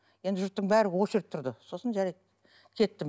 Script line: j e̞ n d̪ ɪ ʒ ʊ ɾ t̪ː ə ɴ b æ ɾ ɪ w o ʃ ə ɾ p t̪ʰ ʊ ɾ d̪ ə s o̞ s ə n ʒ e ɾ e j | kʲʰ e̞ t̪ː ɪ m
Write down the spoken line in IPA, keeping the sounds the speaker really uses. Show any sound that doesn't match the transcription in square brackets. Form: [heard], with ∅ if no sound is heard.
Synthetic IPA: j e̞ n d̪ ɪ ʒ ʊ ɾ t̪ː ə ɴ b æ ɾ ɪ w o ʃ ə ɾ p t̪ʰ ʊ ɾ d̪ ə s o̞ s ə n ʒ [æ] ɾ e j | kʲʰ e̞ t̪ː ɪ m